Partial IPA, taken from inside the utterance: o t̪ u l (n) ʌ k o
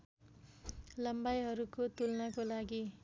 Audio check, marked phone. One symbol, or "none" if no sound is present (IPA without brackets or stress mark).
n